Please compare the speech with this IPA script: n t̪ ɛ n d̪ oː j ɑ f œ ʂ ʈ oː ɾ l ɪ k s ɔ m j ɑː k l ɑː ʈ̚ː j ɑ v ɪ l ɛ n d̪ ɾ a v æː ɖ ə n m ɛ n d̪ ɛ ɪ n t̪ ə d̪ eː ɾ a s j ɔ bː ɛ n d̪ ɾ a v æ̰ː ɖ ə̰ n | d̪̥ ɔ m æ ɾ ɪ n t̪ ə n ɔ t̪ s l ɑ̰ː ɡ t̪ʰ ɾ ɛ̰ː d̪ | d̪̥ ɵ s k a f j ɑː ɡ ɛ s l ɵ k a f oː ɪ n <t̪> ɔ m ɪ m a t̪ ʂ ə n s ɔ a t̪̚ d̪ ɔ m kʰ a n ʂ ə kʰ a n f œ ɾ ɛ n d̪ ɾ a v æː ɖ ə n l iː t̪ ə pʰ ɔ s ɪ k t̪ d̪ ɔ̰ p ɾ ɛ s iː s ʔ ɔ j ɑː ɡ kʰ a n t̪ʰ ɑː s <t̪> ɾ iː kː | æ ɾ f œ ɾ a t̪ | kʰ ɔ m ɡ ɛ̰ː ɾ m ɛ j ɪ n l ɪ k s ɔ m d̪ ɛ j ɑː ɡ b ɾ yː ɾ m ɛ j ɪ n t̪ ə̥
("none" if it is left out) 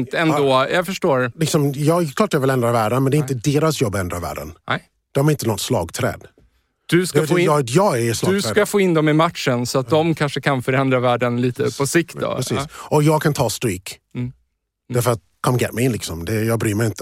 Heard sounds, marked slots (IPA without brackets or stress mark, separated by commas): d̪, t̪